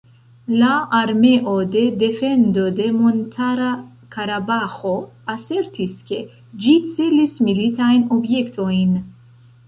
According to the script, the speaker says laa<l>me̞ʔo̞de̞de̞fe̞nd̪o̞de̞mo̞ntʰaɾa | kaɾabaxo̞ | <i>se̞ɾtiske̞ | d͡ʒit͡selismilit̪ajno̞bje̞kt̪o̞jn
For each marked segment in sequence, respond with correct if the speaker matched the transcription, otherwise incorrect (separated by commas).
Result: incorrect, incorrect